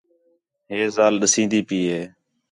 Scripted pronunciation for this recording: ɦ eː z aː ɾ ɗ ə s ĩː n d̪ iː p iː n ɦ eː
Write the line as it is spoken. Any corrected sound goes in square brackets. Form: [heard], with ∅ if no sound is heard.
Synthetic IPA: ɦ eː z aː [l] ɗ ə s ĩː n d̪ iː p iː [∅] ɦ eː